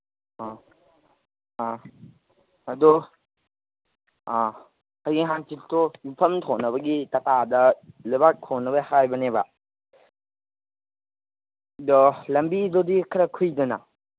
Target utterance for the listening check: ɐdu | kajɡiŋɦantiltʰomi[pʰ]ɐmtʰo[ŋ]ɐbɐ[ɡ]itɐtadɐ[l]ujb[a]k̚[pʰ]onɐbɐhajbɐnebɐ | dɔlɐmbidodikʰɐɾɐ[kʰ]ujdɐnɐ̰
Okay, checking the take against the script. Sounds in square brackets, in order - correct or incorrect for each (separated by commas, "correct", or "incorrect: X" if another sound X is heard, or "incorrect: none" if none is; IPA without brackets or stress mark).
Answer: correct, incorrect: n, correct, correct, correct, incorrect: tʰ, correct